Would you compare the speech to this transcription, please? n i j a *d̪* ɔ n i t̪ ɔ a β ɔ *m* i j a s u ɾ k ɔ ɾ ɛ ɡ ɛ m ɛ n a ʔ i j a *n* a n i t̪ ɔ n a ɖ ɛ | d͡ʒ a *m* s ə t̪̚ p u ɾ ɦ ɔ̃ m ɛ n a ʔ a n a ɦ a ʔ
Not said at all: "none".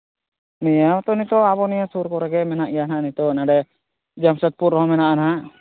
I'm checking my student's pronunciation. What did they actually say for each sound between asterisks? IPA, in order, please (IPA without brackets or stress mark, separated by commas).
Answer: t̪, n, n, m